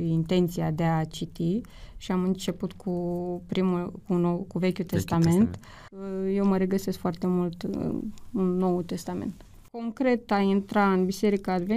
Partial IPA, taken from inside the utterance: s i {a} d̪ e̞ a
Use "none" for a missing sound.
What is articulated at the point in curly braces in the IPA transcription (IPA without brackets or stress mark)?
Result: a